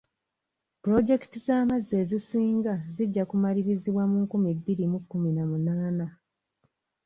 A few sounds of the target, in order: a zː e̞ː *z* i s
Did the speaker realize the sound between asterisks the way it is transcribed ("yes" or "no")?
yes